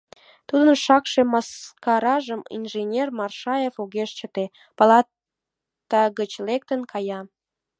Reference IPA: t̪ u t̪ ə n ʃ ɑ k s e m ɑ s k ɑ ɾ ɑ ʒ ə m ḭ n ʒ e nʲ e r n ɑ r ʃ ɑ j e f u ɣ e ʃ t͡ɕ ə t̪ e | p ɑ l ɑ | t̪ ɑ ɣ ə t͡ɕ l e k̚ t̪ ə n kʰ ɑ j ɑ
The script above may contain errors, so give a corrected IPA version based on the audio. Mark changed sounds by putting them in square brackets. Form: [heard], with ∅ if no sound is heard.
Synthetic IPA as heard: t̪ u [d̪] ə n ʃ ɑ k [ʃ] e m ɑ s k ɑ ɾ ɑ ʒ ə m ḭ n ʒ e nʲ e r [m] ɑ r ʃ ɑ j e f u ɣ e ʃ t͡ɕ ə t̪ e | p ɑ l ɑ | t̪ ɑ ɣ ə t͡ɕ l e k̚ t̪ ə n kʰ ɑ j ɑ